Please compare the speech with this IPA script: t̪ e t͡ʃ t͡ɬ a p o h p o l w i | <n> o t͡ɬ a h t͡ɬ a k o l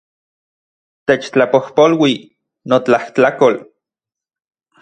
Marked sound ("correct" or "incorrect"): correct